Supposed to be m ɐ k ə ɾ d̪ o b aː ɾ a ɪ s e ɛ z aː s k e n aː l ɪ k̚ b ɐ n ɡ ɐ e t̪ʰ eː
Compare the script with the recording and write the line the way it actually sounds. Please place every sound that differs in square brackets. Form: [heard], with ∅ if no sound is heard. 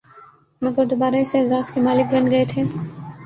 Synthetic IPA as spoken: m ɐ [ɡ] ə ɾ d̪ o b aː ɾ a ɪ s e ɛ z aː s k e [m] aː l ɪ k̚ b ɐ n ɡ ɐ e t̪ʰ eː